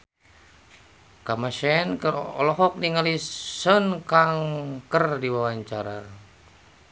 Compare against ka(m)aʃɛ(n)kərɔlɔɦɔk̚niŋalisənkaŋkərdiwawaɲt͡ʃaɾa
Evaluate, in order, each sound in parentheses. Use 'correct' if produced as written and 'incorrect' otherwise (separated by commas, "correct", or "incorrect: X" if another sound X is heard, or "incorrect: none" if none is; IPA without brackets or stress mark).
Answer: correct, correct